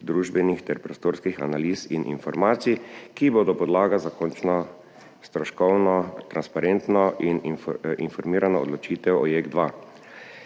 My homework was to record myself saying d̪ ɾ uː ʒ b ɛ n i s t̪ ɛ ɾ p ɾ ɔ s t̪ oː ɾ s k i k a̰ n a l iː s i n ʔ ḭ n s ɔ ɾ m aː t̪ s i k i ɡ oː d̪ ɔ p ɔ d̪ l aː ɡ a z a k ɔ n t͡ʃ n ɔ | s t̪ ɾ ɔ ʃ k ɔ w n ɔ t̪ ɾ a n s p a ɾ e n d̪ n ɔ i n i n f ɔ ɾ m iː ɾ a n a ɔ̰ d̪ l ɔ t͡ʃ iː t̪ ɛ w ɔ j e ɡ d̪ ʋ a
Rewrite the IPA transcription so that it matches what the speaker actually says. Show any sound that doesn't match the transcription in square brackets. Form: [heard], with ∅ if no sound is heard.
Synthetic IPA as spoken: d̪ ɾ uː ʒ b ɛ n i [x] t̪ ɛ ɾ p ɾ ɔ s t̪ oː ɾ s k i [x] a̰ n a l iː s i n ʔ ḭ n [f] ɔ ɾ m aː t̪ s i k i [b] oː d̪ ɔ p ɔ d̪ l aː ɡ a z a k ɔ n t͡ʃ n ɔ | s t̪ ɾ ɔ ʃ k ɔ w n ɔ t̪ ɾ a n s p a ɾ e n [t̪] n ɔ i n i n f ɔ ɾ m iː ɾ a n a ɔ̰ d̪ l ɔ t͡ʃ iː t̪ ɛ w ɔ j e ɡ d̪ ʋ a